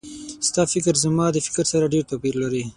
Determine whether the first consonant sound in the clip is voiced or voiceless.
voiceless